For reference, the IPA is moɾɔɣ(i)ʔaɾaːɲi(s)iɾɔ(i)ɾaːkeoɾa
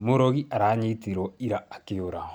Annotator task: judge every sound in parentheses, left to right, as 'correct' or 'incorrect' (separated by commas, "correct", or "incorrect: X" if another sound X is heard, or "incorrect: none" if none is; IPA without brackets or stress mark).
correct, incorrect: t, correct